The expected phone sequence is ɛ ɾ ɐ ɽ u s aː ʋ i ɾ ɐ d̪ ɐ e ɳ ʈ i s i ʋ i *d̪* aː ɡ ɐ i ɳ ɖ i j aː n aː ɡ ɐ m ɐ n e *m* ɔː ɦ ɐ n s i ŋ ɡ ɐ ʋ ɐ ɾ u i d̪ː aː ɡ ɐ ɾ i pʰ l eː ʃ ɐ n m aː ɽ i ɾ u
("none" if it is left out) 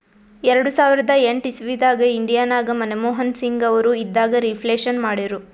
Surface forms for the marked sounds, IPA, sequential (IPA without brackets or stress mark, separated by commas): d̪, m